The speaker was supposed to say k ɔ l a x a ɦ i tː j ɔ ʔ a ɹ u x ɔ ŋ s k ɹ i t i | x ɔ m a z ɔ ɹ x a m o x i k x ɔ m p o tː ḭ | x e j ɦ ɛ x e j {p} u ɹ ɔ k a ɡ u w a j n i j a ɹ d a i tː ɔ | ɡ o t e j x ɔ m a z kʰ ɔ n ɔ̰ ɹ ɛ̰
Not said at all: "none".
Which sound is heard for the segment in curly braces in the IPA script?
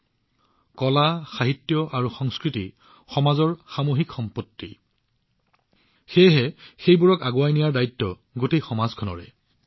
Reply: b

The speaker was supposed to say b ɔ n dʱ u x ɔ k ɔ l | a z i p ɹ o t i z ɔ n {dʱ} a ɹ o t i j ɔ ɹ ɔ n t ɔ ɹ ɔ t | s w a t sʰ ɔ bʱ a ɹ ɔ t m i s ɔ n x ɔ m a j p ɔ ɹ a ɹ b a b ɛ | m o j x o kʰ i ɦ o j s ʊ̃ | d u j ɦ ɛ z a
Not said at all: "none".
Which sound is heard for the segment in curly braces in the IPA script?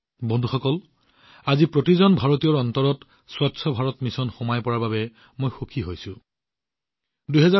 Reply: bʱ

